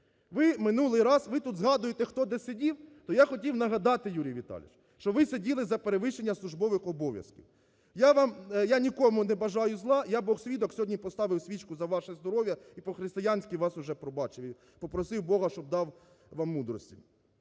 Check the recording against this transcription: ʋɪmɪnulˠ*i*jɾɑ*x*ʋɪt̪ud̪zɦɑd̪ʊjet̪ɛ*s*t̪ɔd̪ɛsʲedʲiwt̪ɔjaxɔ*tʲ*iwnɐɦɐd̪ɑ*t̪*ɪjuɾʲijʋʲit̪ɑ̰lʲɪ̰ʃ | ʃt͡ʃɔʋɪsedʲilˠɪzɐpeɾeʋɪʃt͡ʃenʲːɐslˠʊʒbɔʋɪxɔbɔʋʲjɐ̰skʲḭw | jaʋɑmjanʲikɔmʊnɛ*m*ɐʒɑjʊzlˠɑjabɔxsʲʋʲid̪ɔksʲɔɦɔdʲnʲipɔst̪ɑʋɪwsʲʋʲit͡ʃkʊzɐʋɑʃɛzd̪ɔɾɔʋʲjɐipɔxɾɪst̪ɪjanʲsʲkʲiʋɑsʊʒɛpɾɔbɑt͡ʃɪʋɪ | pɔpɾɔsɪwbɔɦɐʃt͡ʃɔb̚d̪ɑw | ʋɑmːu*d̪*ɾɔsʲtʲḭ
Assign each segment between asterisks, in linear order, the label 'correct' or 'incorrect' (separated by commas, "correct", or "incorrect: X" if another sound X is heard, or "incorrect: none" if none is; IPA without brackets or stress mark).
incorrect: ɪ, incorrect: s, incorrect: x, correct, correct, incorrect: b, correct